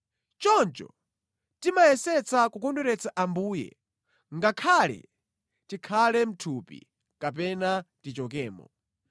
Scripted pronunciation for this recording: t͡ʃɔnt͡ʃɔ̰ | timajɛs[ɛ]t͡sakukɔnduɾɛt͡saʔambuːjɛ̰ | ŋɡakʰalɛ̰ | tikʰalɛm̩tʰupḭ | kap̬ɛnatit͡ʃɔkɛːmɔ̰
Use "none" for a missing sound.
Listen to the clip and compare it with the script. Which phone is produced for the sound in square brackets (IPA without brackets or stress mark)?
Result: ɛ